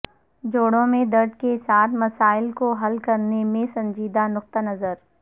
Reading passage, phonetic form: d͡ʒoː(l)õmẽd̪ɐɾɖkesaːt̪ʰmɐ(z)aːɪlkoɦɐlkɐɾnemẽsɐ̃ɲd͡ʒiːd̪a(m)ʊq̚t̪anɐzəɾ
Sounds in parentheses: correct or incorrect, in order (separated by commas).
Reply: incorrect, incorrect, incorrect